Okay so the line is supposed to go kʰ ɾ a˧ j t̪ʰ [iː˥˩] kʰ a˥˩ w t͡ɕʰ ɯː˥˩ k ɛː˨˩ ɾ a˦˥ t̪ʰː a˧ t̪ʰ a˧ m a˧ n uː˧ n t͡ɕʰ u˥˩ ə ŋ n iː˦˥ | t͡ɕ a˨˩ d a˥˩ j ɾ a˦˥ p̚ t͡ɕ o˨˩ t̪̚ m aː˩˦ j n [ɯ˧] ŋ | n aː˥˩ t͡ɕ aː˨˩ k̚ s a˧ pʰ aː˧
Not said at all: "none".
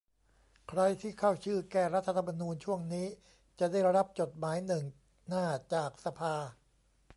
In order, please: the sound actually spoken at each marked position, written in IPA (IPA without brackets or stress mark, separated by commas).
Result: iː˥˩, ɯ˨˩